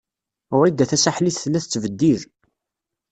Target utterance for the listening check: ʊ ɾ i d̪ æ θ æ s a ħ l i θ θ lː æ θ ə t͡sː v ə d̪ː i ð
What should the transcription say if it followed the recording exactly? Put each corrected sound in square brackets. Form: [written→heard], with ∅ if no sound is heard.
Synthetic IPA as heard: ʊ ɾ i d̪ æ θ æ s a ħ l i θ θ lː æ θ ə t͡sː v ə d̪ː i ð